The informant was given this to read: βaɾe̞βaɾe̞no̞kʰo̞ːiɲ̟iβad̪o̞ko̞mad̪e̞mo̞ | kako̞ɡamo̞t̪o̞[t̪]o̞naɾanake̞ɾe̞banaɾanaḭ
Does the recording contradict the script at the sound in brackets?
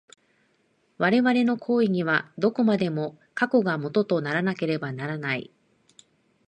no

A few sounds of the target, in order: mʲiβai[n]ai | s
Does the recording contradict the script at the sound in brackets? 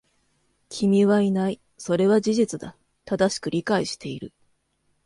no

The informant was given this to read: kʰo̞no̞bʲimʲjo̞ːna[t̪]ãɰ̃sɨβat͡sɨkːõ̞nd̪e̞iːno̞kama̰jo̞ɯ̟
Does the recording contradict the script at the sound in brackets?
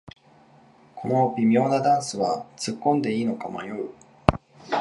yes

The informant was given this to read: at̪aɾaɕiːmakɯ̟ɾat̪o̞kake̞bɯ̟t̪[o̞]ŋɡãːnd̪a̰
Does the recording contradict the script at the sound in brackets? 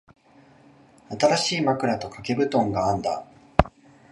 yes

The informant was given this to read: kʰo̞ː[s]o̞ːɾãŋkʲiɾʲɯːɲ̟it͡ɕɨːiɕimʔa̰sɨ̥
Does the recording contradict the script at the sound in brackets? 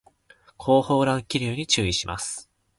yes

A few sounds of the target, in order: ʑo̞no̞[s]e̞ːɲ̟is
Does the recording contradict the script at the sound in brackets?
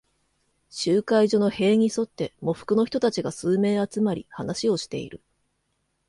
yes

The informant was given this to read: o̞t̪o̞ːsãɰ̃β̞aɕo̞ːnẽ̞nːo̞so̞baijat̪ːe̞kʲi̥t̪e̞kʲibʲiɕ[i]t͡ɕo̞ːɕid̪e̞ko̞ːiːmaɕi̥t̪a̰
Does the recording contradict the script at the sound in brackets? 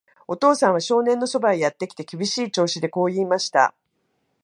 yes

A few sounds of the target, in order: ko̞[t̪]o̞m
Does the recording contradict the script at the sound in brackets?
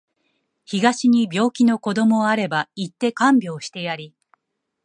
yes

